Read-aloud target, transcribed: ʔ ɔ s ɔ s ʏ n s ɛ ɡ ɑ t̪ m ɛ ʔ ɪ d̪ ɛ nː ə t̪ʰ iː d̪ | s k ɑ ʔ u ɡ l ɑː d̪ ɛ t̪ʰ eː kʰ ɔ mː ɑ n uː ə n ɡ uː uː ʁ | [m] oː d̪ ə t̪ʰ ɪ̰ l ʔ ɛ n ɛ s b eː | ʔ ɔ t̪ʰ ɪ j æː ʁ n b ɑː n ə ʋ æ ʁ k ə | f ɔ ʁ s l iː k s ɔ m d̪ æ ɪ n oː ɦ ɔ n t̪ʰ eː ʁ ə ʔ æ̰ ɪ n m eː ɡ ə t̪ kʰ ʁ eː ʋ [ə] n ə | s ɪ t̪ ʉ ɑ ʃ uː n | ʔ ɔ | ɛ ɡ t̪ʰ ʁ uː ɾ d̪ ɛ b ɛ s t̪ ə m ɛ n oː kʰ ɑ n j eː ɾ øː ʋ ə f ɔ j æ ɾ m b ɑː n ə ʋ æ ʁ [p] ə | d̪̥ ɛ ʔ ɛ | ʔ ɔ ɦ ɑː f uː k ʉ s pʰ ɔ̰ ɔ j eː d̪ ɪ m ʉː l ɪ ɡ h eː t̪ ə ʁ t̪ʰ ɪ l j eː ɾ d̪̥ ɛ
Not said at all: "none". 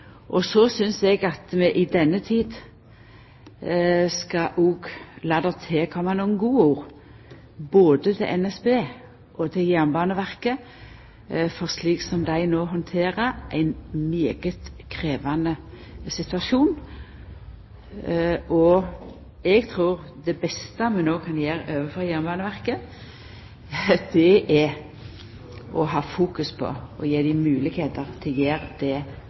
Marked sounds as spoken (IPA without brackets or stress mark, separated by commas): b, ɑ, k